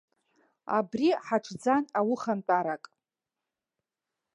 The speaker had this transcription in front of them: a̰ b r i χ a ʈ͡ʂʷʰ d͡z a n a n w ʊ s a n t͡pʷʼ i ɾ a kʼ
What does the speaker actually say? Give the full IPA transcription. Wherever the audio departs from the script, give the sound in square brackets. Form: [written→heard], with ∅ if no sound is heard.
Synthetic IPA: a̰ b r i [χ→ħ] a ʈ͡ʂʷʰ d͡z a n a [n→∅] w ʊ [s→χ] a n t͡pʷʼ [i→a] ɾ a kʼ